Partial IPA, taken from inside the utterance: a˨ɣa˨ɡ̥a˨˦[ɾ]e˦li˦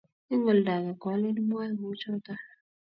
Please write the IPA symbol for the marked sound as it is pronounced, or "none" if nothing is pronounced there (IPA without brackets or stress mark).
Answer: l